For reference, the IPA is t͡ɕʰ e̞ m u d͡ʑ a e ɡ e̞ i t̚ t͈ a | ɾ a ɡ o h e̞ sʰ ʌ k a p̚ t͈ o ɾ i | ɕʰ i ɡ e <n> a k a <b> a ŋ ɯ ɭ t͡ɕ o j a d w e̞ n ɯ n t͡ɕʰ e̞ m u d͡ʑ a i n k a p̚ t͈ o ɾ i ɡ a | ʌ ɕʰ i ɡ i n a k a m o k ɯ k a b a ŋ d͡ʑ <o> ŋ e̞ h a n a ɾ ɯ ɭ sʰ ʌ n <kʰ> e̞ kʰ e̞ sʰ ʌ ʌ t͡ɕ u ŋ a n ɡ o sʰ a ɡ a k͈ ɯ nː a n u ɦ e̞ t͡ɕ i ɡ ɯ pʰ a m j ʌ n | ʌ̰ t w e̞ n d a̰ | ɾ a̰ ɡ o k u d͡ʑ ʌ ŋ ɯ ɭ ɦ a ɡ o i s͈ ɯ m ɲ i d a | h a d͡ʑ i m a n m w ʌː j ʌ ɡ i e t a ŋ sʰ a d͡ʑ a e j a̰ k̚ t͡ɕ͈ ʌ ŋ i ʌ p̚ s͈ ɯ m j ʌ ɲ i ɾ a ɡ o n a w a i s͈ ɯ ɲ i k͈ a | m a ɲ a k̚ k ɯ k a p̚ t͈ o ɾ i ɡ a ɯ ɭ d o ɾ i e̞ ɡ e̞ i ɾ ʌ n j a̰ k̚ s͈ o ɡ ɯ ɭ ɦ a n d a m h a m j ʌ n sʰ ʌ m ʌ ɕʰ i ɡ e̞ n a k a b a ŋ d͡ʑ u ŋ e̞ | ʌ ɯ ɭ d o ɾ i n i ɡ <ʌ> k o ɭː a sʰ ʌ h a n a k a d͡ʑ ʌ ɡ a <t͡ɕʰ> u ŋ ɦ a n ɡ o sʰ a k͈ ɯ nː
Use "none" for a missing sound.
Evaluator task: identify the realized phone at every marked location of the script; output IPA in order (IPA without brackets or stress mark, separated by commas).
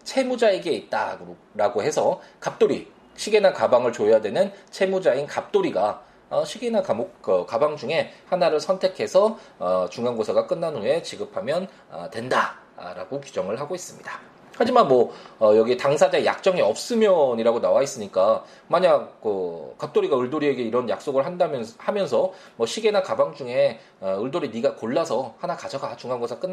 n, b, u, tʰ, a, t͡ɕ